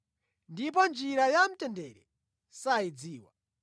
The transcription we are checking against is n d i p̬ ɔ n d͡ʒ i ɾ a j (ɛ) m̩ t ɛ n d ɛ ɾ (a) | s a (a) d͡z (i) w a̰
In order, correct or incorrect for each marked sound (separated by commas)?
incorrect, incorrect, incorrect, incorrect